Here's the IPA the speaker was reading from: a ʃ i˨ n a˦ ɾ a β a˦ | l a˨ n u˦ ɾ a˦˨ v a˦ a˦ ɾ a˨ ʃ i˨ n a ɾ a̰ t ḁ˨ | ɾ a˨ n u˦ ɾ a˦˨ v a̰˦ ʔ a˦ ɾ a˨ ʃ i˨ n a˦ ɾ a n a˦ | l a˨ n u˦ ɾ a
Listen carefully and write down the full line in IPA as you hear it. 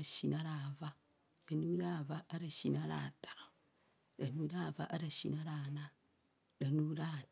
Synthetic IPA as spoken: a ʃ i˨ n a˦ ɾ a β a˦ | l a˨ n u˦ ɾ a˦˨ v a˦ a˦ ɾ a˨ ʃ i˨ n a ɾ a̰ t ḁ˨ | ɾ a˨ n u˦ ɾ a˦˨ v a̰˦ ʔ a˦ ɾ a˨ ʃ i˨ n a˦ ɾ a n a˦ | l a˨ n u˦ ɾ a